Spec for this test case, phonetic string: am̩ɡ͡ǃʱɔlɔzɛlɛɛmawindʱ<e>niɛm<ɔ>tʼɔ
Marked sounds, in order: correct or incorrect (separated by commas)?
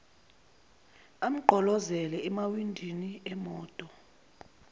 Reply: incorrect, incorrect